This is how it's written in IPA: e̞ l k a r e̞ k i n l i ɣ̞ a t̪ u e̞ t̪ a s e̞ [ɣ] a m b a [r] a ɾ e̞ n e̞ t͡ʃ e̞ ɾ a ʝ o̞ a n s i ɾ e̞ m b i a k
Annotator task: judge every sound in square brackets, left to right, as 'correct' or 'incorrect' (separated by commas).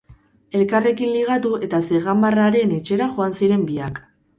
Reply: correct, correct